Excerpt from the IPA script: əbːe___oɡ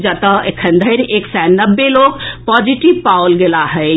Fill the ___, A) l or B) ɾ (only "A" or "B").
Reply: A